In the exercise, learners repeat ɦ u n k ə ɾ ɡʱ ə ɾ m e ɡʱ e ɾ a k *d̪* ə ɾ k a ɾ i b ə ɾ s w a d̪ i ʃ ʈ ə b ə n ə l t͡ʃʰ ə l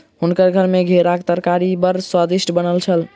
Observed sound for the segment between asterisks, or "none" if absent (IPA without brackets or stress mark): t̪